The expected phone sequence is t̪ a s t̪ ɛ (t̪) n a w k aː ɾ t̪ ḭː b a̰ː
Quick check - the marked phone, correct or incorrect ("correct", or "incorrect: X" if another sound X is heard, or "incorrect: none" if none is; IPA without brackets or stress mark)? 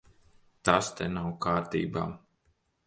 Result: incorrect: none